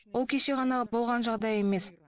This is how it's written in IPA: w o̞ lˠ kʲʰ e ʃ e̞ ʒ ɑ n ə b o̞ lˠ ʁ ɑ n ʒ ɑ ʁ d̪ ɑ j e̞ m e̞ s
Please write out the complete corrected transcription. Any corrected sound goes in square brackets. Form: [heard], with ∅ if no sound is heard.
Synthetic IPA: w o̞ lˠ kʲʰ e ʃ e̞ [ʁ] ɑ n [ɑ] b o̞ lˠ ʁ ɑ n ʒ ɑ ʁ d̪ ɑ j e̞ m e̞ s